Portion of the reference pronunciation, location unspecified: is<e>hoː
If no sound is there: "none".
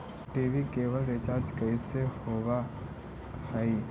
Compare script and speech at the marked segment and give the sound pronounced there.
e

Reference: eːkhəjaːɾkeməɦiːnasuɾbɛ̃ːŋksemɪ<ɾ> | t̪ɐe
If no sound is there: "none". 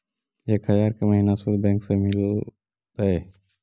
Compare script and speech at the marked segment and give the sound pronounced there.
l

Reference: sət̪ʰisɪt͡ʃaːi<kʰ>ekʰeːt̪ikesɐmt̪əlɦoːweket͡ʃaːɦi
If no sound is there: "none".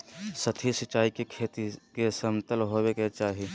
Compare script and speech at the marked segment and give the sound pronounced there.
k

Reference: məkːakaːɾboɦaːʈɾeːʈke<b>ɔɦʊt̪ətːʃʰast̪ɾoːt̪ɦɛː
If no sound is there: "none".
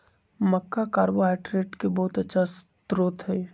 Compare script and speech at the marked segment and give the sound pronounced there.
b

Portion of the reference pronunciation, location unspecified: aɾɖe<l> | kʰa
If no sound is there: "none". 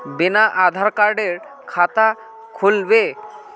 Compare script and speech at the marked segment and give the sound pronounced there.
ɾ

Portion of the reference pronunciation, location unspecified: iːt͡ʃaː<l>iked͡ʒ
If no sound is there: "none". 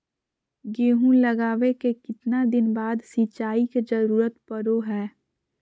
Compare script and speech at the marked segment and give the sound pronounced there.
none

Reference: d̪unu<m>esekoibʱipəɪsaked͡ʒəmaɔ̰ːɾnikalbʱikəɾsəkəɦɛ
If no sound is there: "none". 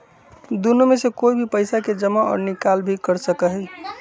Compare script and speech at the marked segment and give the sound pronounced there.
m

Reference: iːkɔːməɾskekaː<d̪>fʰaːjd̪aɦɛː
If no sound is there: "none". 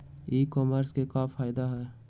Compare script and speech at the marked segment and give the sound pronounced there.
none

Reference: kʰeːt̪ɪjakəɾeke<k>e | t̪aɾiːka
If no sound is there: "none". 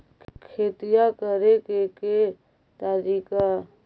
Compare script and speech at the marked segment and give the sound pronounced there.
k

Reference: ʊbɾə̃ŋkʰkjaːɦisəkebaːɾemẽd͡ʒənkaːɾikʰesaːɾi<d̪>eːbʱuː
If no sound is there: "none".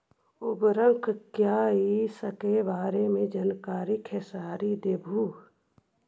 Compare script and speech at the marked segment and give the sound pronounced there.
d̪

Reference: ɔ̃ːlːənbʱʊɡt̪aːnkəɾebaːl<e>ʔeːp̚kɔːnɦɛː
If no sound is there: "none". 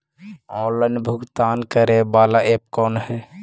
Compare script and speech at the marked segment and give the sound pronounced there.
a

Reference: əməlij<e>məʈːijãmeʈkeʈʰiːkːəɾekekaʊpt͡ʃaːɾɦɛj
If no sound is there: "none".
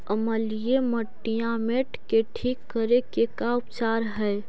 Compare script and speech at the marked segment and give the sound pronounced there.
e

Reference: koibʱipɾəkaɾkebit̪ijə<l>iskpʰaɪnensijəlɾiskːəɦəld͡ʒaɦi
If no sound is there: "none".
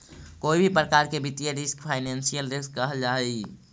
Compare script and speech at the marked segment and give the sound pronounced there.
ɾ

